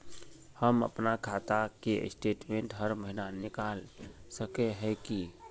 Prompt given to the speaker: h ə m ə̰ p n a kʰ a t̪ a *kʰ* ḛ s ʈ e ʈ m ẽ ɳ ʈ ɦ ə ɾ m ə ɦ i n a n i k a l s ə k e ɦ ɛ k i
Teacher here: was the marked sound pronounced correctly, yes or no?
no